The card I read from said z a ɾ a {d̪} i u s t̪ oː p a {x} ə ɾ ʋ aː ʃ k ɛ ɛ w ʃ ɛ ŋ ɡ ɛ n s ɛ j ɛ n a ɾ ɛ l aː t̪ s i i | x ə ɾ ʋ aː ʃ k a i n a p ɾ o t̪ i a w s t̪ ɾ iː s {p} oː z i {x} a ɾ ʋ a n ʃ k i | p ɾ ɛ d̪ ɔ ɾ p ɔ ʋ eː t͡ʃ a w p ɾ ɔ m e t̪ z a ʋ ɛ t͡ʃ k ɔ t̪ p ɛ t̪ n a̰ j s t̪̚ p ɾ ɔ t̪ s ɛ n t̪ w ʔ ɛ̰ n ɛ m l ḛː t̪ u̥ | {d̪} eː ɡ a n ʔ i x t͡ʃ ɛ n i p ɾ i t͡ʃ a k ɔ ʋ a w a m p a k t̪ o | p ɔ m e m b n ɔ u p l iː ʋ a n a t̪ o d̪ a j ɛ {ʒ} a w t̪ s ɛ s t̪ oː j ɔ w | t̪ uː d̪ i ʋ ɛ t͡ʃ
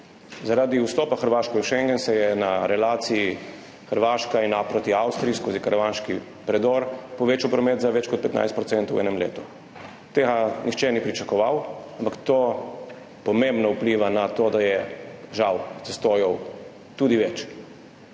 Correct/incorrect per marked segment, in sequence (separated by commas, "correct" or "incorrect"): correct, correct, incorrect, incorrect, incorrect, correct